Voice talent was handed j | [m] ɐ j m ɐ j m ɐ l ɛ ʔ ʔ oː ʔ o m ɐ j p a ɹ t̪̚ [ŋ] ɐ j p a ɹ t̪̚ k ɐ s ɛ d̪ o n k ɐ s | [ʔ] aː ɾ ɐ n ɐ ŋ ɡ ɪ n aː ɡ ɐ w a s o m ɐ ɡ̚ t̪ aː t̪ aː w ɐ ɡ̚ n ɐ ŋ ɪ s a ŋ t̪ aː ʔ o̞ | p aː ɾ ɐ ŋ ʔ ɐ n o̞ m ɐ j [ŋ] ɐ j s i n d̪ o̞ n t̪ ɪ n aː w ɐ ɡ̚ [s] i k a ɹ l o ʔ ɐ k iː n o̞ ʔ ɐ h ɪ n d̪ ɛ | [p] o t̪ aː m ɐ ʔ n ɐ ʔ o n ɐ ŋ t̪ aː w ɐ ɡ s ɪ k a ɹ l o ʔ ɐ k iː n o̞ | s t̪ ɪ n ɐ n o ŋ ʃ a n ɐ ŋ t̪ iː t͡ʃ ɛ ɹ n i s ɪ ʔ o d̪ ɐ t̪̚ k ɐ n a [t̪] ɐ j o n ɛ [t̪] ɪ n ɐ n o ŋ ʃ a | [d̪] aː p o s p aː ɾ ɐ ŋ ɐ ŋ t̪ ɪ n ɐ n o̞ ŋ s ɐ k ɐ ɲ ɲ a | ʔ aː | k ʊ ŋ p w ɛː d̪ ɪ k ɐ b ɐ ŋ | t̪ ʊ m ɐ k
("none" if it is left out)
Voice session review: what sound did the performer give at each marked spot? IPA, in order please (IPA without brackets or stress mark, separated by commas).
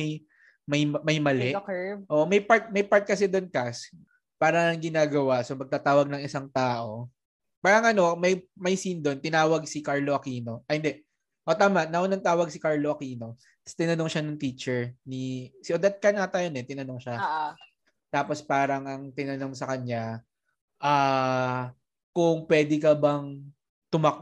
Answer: m, m, p, m, s, ʔ, t̪, t̪, t̪